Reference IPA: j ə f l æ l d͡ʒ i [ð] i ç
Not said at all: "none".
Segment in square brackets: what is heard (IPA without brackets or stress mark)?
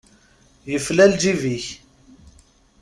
v